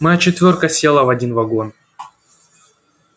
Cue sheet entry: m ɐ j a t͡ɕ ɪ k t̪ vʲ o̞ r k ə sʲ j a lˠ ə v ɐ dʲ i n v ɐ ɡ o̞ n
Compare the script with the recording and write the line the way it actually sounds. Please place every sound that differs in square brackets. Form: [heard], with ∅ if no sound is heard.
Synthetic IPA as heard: m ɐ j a t͡ɕ ɪ [∅] t̪ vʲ o̞ r k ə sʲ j [e] lˠ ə v ɐ dʲ i n v ɐ ɡ o̞ n